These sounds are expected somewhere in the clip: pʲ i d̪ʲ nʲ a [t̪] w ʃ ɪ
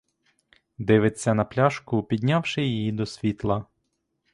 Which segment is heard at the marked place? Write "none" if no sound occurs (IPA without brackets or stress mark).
none